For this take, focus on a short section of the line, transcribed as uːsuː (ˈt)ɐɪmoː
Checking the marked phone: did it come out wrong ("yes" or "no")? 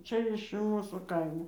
yes